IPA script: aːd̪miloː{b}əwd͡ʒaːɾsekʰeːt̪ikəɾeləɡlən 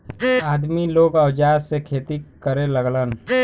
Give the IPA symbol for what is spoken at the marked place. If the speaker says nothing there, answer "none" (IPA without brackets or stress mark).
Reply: ɡ